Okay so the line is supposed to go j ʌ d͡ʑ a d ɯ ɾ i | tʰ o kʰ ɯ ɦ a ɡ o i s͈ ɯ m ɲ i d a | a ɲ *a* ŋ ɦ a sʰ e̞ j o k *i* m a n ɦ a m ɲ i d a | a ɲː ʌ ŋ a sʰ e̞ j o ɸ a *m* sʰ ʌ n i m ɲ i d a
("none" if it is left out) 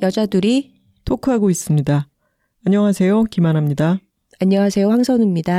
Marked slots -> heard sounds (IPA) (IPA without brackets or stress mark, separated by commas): ʌ, i, ŋ